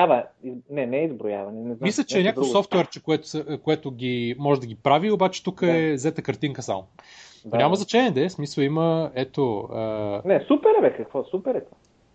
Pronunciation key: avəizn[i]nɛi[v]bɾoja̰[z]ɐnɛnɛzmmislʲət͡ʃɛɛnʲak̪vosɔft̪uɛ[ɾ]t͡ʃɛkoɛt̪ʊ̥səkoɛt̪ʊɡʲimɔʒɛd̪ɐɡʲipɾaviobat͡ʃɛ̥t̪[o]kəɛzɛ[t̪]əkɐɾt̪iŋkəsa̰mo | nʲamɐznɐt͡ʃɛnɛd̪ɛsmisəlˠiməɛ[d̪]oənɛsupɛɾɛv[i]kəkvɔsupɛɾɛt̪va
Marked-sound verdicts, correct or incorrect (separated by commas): incorrect, incorrect, incorrect, correct, incorrect, correct, incorrect, incorrect